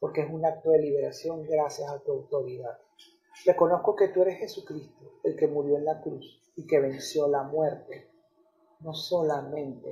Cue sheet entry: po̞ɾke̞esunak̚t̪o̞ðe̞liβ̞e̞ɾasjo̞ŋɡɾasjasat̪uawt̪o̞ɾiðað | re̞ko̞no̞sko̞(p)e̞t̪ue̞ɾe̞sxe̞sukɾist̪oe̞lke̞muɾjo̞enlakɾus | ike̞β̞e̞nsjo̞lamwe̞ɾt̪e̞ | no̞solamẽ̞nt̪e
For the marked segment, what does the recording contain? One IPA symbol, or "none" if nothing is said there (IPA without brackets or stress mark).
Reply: k